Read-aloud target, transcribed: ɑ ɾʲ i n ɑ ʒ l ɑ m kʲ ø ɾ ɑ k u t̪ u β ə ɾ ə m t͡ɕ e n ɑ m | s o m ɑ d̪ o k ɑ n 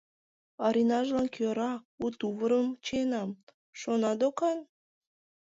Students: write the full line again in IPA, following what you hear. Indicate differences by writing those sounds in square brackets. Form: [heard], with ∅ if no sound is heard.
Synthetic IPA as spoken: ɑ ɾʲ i n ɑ ʒ l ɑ [n] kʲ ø ɾ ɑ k u t̪ u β ə ɾ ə m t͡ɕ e n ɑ m | [ʃ] o [n] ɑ d̪ o k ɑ n